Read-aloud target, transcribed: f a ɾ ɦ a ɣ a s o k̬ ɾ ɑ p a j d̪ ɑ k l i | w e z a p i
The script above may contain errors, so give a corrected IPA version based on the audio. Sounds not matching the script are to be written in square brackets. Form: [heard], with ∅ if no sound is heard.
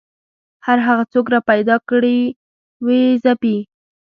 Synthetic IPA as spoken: [h] a ɾ ɦ a ɣ a [t͡s] o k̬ ɾ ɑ p a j d̪ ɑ k [ɽ] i | w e z a p i